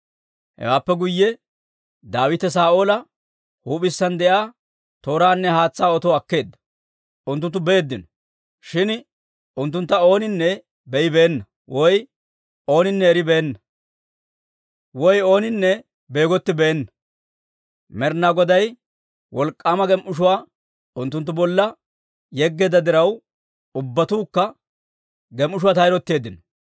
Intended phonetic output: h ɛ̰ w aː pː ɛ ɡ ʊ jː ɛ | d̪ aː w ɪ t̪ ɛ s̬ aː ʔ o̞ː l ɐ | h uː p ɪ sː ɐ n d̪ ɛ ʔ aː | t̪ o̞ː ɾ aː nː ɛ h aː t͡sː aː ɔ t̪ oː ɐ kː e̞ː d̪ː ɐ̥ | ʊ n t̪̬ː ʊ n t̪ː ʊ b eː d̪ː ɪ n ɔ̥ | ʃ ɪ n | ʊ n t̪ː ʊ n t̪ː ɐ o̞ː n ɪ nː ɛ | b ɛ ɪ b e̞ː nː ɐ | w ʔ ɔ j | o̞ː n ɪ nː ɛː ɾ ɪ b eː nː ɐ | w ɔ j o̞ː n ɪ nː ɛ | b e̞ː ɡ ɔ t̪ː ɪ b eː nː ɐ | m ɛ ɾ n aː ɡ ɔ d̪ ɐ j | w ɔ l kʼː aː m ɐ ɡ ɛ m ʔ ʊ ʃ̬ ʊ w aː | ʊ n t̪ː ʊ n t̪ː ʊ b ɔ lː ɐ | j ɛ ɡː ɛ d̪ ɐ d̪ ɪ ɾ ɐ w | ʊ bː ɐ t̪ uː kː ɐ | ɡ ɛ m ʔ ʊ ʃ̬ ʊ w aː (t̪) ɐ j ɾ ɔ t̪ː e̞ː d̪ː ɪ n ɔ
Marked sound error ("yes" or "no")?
no